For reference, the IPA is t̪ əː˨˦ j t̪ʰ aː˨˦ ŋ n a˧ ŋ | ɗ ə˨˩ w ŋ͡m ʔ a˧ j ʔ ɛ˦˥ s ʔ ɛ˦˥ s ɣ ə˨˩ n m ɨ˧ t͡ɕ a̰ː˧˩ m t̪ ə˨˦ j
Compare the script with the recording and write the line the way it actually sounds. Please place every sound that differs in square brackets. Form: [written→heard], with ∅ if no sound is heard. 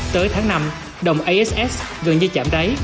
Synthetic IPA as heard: t̪ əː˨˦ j t̪ʰ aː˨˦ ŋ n a˧ [ŋ→m] | ɗ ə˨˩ w ŋ͡m ʔ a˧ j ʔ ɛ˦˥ s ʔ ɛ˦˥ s ɣ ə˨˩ n [m→ɲ] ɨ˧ t͡ɕ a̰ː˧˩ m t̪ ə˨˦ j